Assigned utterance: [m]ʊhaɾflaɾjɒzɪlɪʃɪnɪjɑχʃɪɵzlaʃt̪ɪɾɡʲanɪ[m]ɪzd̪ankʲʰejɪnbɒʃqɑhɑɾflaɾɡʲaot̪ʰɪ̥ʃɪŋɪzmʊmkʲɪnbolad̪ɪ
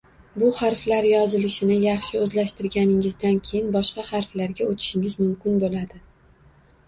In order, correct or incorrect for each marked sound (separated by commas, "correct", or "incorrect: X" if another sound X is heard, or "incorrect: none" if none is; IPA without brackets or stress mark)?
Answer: incorrect: b, incorrect: ŋ